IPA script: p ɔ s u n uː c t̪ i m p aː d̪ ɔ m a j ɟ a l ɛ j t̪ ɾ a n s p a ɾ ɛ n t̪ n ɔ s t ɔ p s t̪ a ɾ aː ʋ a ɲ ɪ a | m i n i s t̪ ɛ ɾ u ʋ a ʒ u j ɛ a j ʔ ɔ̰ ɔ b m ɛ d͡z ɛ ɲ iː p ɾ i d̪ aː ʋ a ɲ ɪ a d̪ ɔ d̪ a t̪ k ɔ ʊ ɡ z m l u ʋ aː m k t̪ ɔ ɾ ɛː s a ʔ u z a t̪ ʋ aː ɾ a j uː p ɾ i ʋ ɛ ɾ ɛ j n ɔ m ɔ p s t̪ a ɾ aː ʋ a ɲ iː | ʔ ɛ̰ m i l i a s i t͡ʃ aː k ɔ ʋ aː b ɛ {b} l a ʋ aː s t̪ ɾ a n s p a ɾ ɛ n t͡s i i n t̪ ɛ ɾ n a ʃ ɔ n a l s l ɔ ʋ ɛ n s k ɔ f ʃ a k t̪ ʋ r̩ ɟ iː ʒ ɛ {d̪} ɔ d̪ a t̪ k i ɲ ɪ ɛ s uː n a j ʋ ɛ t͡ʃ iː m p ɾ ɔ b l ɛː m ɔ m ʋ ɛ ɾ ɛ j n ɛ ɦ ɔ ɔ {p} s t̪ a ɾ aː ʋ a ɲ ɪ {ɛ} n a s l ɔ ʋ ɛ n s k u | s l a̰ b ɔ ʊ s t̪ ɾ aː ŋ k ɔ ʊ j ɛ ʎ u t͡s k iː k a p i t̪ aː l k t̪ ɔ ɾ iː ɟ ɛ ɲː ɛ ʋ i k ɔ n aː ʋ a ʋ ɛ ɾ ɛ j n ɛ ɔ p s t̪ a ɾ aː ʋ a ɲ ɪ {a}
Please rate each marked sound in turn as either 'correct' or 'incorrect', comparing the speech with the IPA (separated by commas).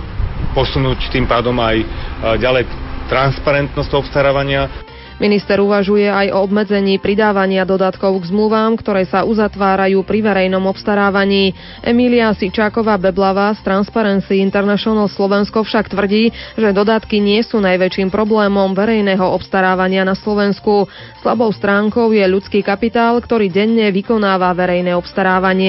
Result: correct, correct, correct, incorrect, incorrect